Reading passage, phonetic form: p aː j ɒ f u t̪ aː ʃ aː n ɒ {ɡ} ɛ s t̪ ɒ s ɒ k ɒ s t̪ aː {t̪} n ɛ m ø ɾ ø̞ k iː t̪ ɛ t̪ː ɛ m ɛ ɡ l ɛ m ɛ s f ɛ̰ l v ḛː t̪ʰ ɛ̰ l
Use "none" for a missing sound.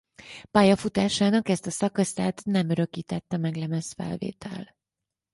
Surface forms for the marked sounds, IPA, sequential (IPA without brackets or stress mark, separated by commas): k, t̪